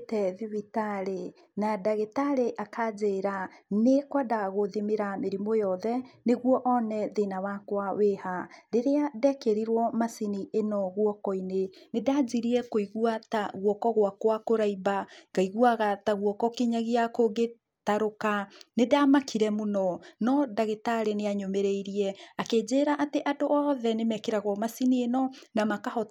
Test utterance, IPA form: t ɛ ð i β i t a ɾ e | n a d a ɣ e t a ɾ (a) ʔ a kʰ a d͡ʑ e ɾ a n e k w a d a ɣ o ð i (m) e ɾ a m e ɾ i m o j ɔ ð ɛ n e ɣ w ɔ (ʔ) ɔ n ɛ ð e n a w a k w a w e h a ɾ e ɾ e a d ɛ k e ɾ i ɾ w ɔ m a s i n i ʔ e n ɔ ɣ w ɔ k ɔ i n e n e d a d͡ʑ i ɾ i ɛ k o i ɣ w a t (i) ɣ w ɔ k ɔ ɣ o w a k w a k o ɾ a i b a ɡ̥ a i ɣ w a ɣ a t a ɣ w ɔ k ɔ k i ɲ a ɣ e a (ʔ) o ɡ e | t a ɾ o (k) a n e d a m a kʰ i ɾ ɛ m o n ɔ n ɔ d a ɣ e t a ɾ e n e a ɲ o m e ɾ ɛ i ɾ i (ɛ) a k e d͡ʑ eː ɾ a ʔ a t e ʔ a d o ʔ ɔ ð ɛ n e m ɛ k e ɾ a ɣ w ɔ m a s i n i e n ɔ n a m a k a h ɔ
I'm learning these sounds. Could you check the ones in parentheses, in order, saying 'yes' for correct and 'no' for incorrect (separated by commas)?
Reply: no, yes, yes, no, no, yes, yes